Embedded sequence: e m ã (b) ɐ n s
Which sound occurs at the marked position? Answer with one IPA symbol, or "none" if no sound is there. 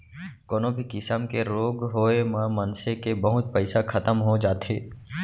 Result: m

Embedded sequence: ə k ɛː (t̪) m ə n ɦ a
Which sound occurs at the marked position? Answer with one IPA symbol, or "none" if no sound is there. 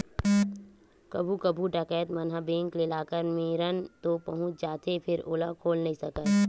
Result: t̪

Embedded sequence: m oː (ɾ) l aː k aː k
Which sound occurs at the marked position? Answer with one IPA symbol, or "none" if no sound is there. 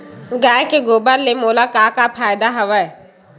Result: none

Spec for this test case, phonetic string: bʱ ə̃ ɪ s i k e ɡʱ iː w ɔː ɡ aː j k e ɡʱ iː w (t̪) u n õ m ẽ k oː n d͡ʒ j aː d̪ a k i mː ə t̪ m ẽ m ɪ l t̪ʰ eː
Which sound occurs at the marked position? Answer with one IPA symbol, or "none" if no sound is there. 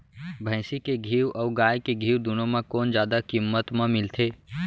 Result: d̪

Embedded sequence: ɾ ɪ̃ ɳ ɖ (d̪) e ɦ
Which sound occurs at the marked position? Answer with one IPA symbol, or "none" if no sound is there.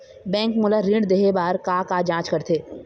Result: d̪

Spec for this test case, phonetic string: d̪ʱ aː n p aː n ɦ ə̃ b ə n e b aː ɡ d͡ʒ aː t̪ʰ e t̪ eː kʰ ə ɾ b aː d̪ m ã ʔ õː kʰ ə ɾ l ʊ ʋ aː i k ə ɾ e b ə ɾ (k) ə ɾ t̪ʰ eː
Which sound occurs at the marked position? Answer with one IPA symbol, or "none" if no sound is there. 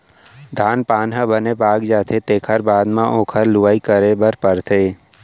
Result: p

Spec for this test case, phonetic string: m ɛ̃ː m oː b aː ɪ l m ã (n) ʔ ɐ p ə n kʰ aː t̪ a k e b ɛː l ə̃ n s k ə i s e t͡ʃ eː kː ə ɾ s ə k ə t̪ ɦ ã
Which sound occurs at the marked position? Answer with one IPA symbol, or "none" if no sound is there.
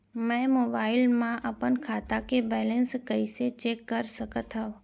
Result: none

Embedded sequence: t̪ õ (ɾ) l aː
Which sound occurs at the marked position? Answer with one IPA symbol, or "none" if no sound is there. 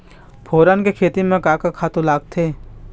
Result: none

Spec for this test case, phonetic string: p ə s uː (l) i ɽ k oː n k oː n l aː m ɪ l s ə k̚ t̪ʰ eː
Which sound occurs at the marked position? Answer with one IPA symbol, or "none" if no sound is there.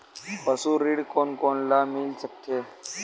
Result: ɾ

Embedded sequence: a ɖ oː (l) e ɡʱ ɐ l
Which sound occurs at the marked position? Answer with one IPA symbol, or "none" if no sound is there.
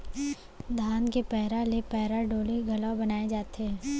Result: l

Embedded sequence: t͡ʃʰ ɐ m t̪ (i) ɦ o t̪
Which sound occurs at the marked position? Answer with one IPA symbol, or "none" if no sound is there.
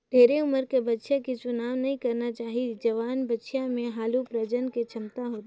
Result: a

